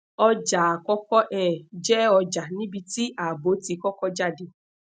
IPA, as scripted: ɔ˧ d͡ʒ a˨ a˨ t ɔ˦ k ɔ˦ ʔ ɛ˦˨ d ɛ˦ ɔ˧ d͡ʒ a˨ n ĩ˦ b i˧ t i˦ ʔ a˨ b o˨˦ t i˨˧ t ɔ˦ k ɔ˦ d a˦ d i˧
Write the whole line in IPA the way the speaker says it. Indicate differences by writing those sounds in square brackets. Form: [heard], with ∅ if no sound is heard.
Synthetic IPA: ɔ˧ d͡ʒ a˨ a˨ [k] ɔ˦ k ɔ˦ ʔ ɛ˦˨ [d͡ʒ] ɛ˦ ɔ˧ d͡ʒ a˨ n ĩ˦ b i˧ t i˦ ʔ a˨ b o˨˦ t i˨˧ [k] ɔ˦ k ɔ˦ [d͡ʒ] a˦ d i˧